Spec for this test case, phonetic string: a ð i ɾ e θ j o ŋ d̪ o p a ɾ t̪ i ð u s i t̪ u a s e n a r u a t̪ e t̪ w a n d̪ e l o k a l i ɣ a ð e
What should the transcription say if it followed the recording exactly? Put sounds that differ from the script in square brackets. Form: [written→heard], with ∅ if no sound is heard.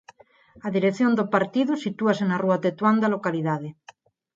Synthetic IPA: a ð i ɾ e θ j o [ŋ→n] d̪ o p a ɾ t̪ i ð u s i t̪ u a s e n a r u a t̪ e t̪ w a n d̪ [e→a] l o k a l i [ɣ→ð] a ð e